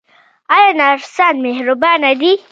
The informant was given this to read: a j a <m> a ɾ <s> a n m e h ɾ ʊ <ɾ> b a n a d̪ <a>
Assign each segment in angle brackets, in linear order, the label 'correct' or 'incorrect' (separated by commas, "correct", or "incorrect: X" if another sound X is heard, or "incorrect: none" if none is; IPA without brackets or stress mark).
incorrect: n, correct, incorrect: none, incorrect: i